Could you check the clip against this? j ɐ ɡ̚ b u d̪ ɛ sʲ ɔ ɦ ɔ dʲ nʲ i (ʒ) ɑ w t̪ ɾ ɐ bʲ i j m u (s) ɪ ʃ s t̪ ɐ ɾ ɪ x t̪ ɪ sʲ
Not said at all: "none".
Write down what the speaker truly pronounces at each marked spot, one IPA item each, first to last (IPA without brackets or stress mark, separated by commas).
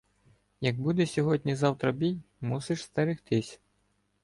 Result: z, s